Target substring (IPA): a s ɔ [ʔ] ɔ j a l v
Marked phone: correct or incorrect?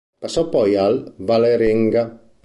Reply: incorrect